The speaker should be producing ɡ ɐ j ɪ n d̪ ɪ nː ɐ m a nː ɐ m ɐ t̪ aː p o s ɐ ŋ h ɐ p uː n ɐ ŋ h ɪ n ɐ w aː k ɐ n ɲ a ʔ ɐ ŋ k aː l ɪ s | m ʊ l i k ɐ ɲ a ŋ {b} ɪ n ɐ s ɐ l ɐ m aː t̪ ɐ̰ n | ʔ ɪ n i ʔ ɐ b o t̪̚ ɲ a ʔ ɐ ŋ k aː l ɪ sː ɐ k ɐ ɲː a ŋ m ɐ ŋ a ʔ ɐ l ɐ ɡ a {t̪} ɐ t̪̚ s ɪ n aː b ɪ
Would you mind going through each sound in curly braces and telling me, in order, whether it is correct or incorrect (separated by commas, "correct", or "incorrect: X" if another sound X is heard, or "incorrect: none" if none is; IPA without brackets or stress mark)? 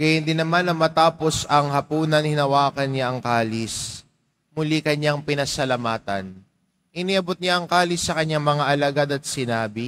incorrect: p, incorrect: d̪